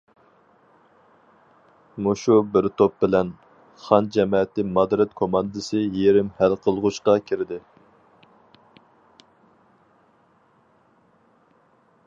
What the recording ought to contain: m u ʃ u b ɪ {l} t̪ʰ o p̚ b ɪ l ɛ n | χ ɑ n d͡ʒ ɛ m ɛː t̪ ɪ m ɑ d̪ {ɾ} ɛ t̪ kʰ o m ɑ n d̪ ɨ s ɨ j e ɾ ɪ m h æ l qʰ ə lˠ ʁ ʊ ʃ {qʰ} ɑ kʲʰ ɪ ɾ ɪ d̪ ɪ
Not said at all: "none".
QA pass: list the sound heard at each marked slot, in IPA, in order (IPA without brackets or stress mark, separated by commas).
ɾ, ɾ, q